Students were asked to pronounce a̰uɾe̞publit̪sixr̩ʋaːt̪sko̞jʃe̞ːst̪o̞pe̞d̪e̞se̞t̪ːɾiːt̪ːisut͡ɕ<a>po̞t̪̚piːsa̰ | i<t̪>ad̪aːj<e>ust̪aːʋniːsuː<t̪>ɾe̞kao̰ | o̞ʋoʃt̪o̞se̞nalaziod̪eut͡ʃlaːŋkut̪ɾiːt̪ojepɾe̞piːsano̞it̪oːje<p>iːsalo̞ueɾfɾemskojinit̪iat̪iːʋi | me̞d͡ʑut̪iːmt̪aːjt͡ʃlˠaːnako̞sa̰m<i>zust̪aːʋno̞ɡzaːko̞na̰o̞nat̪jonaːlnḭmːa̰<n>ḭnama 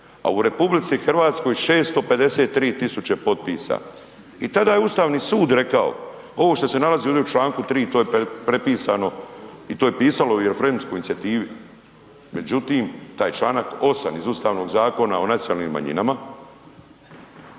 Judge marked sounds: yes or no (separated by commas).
no, yes, yes, no, yes, yes, no